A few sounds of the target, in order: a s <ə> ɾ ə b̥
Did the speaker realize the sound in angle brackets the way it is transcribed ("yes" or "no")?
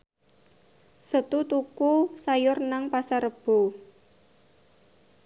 no